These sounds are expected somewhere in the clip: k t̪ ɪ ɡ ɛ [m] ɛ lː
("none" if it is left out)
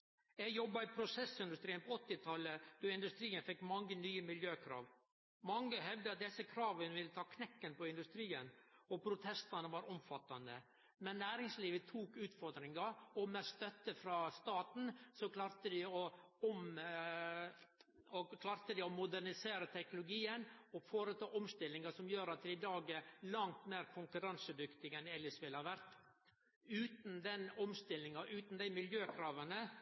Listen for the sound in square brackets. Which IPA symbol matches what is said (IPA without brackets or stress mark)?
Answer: n